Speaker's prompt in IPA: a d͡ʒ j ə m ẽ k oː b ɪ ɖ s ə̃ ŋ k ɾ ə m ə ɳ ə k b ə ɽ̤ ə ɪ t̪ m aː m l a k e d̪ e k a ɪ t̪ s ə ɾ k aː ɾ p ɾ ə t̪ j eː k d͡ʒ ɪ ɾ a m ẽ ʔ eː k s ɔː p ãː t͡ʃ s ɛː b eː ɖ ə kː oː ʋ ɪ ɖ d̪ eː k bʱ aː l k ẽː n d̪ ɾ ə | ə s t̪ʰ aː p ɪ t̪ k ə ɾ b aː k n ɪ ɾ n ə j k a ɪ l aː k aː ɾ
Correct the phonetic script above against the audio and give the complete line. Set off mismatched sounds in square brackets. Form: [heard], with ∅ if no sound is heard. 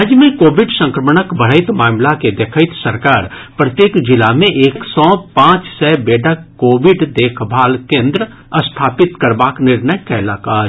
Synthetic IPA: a d͡ʒ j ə m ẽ k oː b ɪ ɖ s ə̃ ŋ k ɾ ə m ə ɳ ə k b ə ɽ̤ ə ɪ t̪ m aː m l a k e d̪ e [kʰ] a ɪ t̪ s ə ɾ k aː ɾ p ɾ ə t̪ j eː k d͡ʒ ɪ [l] a m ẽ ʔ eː k s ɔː p ãː t͡ʃ s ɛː b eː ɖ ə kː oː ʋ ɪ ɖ d̪ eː [kʰ] bʱ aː l k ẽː n d̪ ɾ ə | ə s t̪ʰ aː p ɪ t̪ k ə ɾ b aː k n ɪ ɾ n ə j k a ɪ l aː k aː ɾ